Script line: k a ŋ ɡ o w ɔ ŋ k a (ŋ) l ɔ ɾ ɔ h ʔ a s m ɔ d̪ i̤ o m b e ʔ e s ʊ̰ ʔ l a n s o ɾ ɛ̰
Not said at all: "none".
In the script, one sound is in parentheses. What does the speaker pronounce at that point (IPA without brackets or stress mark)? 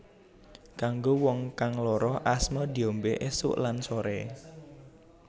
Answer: ŋ